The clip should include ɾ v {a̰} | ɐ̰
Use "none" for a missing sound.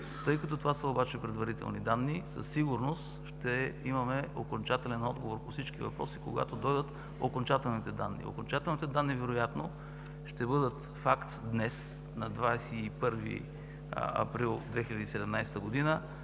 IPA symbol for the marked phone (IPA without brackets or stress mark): ḭ